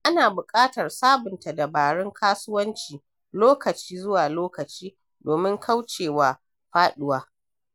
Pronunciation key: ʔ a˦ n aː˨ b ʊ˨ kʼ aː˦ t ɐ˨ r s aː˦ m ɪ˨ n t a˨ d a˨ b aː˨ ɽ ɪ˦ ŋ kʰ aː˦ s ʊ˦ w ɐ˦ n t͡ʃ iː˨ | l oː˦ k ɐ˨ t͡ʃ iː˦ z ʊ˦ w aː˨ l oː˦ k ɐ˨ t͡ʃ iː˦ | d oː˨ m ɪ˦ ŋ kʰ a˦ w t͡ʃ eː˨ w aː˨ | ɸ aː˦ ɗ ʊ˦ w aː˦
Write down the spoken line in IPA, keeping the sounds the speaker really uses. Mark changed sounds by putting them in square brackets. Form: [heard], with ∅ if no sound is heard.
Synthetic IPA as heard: ʔ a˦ n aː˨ b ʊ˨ kʼ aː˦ t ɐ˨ r s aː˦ [b] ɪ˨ n t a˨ d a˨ b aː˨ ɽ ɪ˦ ŋ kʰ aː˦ s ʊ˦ w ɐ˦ n t͡ʃ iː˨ | l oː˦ k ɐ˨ t͡ʃ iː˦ z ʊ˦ w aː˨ l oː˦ k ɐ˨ t͡ʃ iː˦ | d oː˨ m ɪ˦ ŋ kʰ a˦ w t͡ʃ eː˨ w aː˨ | ɸ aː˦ ɗ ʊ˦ w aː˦